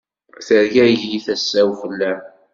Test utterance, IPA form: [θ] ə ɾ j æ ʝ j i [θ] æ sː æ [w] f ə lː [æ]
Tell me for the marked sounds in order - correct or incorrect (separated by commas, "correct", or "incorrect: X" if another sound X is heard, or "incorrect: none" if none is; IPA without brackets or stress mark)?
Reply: correct, correct, correct, correct